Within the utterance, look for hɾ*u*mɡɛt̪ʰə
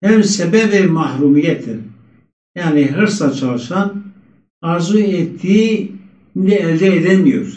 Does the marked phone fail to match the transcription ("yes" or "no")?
no